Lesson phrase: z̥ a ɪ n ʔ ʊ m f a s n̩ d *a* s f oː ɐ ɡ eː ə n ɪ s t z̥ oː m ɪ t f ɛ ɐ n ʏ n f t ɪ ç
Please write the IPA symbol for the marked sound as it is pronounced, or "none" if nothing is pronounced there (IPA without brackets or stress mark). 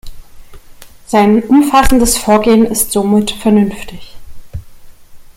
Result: ə